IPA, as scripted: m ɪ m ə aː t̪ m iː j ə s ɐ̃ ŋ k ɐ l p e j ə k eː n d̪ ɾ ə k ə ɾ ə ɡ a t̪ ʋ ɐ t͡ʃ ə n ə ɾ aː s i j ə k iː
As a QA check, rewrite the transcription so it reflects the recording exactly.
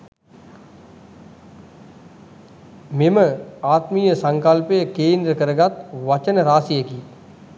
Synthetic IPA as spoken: m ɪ m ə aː t̪ m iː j ə s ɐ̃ ŋ k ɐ l p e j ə k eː n d̪ ɾ ə k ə ɾ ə ɡ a t̪ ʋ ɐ t͡ʃ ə n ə ɾ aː s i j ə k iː